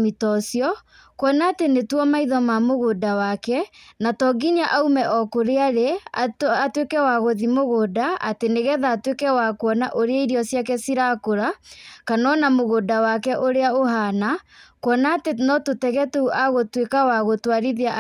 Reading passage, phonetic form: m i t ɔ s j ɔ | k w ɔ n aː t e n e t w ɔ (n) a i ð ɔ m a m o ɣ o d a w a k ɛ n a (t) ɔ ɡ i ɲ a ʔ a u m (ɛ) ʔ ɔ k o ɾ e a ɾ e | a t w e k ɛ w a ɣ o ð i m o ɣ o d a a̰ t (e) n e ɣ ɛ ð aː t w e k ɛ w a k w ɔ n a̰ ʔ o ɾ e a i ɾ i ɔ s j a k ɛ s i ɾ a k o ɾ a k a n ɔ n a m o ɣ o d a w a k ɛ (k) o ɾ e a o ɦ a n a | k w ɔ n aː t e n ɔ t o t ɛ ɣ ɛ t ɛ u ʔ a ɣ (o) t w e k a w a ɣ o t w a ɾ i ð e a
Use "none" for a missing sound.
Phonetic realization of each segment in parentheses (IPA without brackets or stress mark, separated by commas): m, t, ɛ, e, ʔ, o